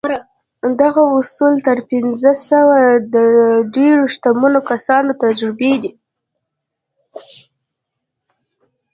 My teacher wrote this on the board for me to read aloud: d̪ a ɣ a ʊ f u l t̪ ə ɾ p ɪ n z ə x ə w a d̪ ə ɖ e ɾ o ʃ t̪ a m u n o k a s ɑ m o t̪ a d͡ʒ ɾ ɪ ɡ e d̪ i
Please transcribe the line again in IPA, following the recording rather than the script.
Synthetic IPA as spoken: d̪ a ɣ a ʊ s u l t̪ ə ɾ p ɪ n z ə s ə w a d̪ ə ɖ e ɾ o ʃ t̪ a m u n o k a s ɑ n o t̪ a d͡ʒ ɾ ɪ b e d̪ i